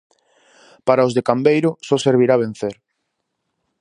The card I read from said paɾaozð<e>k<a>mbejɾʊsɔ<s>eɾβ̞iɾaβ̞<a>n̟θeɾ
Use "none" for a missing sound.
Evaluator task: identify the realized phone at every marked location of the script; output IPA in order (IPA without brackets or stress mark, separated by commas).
e, a, s, e